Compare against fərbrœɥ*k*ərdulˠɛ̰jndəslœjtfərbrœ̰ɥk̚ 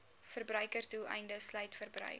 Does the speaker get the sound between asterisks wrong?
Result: no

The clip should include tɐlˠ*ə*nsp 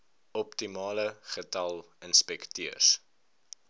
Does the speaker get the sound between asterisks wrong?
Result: no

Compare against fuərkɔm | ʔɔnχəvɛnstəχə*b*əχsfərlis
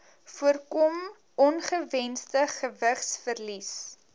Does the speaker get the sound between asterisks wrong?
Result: yes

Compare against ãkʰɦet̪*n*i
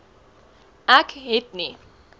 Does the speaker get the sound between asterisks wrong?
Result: no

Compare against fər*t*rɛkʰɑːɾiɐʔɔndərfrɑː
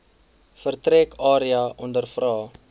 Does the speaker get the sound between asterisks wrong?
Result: no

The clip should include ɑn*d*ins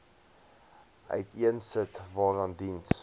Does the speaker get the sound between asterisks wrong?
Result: no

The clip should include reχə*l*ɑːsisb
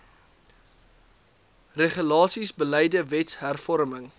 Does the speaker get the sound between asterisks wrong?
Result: no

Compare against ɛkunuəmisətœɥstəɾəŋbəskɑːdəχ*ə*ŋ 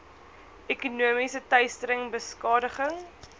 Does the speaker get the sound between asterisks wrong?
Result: no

